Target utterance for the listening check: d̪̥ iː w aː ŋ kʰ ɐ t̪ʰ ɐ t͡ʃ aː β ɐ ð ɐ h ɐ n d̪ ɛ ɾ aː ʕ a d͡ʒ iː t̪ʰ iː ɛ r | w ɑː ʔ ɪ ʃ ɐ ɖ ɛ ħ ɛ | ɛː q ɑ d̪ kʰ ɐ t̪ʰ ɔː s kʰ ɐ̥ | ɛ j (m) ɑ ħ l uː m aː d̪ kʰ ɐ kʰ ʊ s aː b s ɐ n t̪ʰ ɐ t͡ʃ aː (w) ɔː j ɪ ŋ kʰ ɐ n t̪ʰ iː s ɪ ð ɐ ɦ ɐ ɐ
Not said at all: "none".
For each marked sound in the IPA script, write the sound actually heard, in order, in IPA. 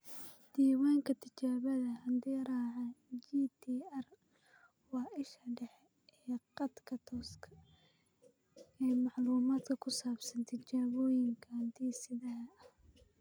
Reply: m, β

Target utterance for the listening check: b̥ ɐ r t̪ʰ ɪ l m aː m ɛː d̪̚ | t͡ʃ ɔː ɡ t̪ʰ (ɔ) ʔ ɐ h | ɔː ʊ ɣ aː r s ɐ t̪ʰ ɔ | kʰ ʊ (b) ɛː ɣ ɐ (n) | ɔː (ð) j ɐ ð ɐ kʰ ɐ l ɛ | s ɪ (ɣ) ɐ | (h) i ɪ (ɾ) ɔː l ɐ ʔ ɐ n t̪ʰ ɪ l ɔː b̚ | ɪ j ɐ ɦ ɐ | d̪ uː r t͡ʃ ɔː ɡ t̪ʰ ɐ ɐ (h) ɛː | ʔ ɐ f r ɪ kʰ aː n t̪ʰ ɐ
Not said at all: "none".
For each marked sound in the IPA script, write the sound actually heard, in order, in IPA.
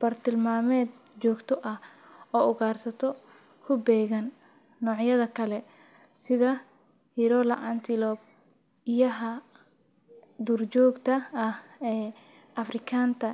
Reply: ɔ, b, nː, ʕ, ð, h, ɾ, h

